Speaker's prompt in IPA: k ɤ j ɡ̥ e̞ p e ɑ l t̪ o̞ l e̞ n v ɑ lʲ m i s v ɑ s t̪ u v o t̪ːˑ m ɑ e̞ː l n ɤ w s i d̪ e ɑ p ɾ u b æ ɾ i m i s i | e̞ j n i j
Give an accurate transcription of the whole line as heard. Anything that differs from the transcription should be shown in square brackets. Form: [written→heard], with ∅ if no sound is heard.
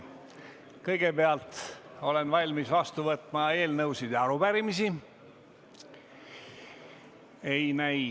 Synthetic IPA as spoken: k ɤ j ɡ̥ e̞ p e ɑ l t̪ o̞ l e̞ n v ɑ lʲ m i s v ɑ s t̪ u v [o→ɤ] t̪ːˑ m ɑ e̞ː l n ɤ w s i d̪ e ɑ [p→∅] ɾ u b æ ɾ i m i s i | e̞ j n [i→æ] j

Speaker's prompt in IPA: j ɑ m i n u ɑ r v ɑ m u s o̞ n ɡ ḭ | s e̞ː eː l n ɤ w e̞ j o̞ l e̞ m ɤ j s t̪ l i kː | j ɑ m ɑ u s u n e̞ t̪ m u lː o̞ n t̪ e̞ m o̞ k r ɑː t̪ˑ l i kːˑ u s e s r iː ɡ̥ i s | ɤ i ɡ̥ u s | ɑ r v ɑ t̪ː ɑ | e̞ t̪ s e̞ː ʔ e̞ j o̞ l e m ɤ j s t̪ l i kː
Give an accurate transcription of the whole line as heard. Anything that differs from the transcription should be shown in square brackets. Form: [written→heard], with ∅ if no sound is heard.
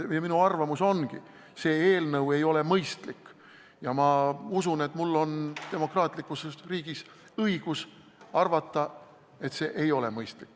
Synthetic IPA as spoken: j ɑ m i n u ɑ r v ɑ m u s o̞ n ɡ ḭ | s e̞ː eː l n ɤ w e̞ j o̞ l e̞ m ɤ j s t̪ l i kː | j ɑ m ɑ u s u n e̞ t̪ m u lː o̞ n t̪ e̞ m o̞ k r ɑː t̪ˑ l i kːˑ u s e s r iː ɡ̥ i s | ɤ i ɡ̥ u s | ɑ r v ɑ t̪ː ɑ | e̞ t̪ s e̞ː ʔ e̞ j o̞ l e m ɤ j s t̪ l i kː

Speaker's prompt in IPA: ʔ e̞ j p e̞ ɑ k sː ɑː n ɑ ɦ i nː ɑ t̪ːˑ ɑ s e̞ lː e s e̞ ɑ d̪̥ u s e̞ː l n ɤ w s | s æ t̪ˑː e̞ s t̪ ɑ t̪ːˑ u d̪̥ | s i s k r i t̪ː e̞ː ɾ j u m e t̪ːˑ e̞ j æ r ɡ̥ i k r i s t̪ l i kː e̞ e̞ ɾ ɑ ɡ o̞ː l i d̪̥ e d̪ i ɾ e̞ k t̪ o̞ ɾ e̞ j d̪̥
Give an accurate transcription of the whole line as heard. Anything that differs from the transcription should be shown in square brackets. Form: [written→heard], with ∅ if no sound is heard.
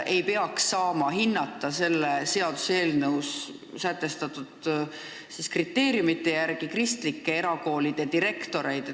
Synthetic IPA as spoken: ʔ e̞ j p e̞ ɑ k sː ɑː [n→m] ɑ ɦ i nː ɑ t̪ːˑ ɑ s e̞ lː e s e̞ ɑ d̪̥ u s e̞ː l n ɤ w s | s æ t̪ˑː e̞ s t̪ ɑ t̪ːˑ u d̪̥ | s i s k r i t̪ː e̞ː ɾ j u m [e→i] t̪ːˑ e̞ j æ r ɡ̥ i k r i s t̪ l i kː e̞ e̞ ɾ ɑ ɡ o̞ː l i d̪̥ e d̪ i ɾ e̞ k t̪ o̞ ɾ e̞ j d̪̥

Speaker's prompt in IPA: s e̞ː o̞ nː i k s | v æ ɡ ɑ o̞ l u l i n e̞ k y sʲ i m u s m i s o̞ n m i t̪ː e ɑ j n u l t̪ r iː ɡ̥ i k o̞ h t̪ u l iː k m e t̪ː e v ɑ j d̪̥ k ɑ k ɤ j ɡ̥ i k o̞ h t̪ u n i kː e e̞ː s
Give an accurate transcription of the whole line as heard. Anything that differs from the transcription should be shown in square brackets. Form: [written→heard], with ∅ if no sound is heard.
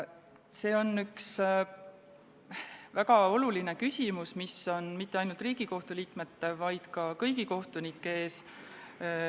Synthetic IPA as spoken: s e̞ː o̞ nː [i→y] k s | v æ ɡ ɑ o̞ l u l i n e̞ k y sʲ i m u s m i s o̞ n m i t̪ː e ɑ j n u l t̪ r iː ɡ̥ i k o̞ h t̪ u l iː k m e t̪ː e v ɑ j d̪̥ k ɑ k ɤ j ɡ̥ i k o̞ h t̪ u n i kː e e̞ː s

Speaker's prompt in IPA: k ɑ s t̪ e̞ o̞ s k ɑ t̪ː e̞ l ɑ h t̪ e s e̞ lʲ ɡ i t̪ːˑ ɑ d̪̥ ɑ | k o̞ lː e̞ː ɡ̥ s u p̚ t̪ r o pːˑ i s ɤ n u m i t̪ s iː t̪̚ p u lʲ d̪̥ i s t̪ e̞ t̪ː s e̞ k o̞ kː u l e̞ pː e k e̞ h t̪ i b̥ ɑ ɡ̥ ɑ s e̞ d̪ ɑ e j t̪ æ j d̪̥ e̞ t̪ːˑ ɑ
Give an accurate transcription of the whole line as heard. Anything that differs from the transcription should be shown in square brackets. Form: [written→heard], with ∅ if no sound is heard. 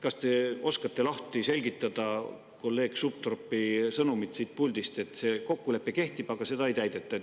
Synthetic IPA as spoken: k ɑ s t̪ e̞ o̞ s k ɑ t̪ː e̞ l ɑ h t̪ [e→i] s e̞ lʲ ɡ i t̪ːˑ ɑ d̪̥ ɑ | k o̞ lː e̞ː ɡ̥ s u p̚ t̪ r o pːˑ i s ɤ n u m i t̪ s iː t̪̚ p u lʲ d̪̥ i s t̪ e̞ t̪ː s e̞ k o̞ kː u l e̞ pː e k e̞ h t̪ i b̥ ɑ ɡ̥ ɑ s e̞ d̪ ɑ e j t̪ æ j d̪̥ e̞ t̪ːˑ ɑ

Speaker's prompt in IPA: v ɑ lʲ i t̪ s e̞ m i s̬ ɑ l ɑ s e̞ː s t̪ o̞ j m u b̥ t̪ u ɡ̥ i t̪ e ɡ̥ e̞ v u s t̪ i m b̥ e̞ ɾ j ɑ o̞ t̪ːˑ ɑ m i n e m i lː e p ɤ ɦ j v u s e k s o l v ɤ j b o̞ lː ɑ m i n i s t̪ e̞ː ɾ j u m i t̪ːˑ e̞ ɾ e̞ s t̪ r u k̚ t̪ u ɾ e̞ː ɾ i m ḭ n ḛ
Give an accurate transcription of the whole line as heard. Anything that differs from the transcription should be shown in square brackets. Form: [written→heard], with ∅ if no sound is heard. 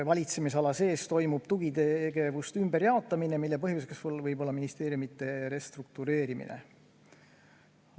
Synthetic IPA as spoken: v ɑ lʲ i t̪ s e̞ m i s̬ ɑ l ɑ s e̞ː s t̪ o̞ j m u b̥ t̪ u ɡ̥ i t̪ e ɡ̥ e̞ v u s t̪ [i→y] m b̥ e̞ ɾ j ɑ o̞ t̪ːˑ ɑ m i n e m i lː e p ɤ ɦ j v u s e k s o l v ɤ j b o̞ lː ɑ m i n i s t̪ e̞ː ɾ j u m i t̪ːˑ e̞ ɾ e̞ s t̪ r u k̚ t̪ u ɾ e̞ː ɾ i m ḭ n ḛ

